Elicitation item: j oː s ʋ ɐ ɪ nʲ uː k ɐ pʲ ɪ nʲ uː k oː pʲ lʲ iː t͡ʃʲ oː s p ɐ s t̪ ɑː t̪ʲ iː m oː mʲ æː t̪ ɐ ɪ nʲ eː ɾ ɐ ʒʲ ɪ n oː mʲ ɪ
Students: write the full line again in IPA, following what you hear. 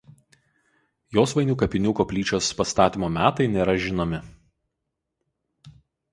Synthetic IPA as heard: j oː s ʋ ɐ ɪ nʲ uː k ɐ pʲ ɪ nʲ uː k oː pʲ lʲ iː t͡ʃʲ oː s p ɐ s t̪ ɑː t̪ʲ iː m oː mʲ æː t̪ ɐ ɪ nʲ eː ɾ ɐ ʒʲ ɪ n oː mʲ ɪ